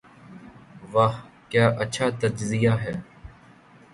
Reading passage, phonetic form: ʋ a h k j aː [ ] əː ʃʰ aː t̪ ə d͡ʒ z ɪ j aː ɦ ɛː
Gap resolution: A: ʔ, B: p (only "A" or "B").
A